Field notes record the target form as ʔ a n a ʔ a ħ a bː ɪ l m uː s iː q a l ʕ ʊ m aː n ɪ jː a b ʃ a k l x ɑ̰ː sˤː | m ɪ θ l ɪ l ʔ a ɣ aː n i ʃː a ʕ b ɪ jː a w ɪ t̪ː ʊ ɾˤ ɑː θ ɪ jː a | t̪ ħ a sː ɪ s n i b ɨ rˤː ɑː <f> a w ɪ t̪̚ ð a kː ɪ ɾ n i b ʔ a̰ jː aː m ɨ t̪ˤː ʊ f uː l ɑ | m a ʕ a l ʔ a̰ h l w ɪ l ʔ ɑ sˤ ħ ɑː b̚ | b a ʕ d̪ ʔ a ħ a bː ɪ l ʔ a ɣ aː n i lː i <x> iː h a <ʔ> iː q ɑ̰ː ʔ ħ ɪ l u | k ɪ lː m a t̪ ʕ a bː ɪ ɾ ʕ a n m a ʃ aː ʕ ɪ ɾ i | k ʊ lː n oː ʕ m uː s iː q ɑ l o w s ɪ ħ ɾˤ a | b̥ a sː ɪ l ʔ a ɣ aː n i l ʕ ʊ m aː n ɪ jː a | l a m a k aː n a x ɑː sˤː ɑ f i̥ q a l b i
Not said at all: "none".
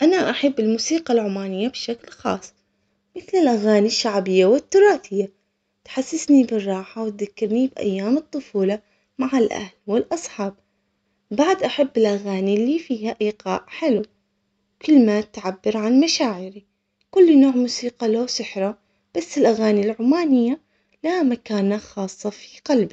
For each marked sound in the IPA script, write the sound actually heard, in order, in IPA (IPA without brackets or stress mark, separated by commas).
ħ, f, ʔ